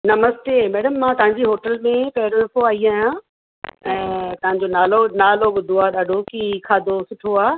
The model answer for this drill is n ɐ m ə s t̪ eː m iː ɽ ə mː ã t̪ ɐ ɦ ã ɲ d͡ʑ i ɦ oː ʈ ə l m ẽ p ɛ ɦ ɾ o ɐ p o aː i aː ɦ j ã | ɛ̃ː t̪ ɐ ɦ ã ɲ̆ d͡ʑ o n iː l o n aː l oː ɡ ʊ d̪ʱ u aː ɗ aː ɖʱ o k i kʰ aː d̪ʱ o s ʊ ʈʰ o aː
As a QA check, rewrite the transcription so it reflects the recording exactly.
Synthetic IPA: n ɐ m ə s t̪ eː m ɛː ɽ ə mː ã t̪ ɐ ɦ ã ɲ d͡ʑ i ɦ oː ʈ ə l m ẽ p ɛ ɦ ɾ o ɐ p o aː i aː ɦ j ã | ɛ̃ː t̪ ɐ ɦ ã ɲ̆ d͡ʑ o n aː l o n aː l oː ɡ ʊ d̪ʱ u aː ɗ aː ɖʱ o k i kʰ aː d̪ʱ o s ʊ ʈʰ o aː